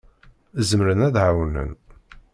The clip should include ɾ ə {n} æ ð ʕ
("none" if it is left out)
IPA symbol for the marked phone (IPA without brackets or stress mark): n